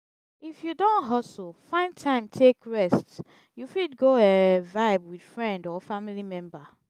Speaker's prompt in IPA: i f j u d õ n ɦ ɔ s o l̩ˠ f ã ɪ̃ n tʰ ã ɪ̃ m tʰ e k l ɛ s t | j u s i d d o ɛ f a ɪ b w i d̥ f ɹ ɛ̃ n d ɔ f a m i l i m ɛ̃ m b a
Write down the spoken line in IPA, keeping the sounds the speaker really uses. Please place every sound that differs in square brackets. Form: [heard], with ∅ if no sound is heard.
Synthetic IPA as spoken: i f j u d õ n ɦ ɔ s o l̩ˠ f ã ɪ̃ n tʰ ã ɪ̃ m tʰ e k [ɹ] ɛ s t | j u [f] i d [ɡ] o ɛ [v] a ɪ b w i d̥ f ɹ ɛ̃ n d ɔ f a m i l i m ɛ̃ m b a